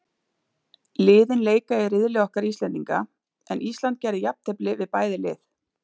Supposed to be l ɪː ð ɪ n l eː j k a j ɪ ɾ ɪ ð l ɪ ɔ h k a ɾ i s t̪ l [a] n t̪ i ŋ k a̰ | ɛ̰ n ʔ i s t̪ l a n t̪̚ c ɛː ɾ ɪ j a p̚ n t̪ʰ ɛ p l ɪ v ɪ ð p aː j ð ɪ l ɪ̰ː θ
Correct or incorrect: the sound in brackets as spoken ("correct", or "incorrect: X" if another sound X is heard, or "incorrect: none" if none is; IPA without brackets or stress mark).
incorrect: ɛ